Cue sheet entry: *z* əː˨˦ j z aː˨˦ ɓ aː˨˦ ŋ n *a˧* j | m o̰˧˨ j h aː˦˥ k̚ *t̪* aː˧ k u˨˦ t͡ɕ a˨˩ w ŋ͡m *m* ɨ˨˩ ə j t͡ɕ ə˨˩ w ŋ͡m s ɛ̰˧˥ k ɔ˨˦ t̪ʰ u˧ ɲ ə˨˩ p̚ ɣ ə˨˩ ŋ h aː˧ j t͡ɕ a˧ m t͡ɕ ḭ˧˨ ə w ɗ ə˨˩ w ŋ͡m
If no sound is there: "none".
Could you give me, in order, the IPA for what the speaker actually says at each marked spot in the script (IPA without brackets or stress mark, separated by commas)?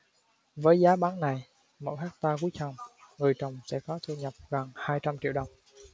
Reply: v, a˨˩, t̪, ŋ